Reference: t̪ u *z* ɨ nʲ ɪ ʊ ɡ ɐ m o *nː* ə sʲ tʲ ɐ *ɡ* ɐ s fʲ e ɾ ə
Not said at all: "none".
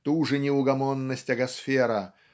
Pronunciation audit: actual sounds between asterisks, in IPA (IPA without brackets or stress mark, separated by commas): ʐ, nː, ɡ